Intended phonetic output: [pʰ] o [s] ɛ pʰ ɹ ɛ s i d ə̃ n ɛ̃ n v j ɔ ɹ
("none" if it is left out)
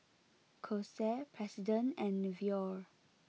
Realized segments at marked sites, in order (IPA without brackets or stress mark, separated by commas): kʰ, s